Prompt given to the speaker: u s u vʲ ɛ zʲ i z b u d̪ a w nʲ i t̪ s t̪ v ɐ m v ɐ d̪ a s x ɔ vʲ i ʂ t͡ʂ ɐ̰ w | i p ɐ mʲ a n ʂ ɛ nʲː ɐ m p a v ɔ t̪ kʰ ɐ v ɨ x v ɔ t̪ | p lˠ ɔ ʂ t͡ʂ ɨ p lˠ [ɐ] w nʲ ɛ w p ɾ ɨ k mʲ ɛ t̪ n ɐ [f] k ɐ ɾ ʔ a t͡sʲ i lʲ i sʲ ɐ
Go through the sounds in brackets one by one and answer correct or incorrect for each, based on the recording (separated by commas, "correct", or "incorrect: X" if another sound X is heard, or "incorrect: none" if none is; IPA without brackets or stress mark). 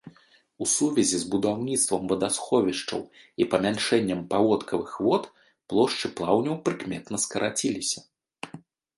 incorrect: a, incorrect: s